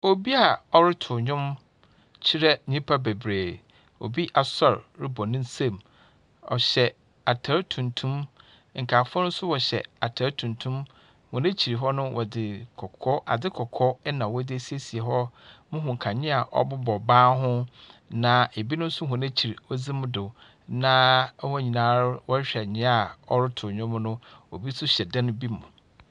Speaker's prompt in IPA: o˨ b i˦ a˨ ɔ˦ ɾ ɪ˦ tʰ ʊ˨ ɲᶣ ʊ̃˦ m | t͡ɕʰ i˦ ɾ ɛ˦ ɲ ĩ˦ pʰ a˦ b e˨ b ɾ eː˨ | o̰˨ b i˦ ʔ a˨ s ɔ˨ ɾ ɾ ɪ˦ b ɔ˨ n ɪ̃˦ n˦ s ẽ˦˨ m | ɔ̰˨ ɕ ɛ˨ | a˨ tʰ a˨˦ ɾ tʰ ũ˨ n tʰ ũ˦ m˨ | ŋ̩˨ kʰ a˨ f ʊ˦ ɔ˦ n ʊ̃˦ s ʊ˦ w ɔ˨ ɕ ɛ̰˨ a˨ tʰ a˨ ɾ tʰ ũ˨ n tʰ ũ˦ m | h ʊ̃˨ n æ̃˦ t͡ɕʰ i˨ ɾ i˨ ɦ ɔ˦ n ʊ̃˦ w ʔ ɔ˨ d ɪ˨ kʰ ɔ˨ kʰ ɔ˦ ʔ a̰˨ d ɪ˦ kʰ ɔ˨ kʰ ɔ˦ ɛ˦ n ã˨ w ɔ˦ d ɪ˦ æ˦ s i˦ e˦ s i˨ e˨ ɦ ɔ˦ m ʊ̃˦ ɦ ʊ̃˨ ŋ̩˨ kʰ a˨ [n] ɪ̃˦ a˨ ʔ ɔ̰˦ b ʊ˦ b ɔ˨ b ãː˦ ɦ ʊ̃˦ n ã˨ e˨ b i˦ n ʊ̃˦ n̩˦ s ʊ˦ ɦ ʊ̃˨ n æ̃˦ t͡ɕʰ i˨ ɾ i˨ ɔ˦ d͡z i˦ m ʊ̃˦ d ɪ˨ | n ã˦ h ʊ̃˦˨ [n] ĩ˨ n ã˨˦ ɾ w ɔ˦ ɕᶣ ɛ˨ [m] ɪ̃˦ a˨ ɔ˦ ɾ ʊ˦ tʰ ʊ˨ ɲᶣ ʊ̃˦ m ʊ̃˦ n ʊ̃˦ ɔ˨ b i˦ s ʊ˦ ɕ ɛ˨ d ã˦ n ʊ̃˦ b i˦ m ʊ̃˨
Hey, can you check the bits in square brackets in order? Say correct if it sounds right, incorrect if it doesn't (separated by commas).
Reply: incorrect, incorrect, incorrect